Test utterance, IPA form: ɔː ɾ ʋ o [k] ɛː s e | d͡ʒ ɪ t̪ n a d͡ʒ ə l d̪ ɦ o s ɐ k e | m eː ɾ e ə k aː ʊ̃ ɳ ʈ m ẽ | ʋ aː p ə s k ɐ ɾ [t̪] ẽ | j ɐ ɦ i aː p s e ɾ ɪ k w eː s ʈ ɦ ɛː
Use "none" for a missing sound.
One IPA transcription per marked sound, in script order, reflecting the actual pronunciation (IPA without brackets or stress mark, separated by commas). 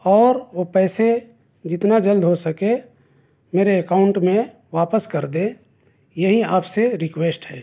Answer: p, d̪